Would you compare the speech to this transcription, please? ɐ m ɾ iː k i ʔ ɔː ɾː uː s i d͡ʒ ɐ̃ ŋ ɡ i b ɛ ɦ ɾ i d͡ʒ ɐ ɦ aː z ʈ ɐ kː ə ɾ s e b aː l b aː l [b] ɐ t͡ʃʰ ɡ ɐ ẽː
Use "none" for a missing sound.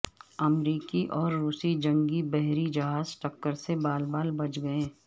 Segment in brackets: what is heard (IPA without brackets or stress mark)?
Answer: b